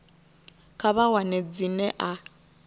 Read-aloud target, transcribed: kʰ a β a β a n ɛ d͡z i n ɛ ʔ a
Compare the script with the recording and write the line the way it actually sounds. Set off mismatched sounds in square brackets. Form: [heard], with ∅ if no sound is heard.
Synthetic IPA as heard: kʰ a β a [w] a n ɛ d͡z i n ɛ ʔ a